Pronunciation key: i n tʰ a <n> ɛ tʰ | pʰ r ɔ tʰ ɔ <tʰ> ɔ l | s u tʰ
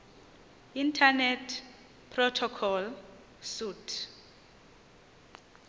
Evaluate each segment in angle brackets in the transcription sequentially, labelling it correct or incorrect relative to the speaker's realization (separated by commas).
correct, incorrect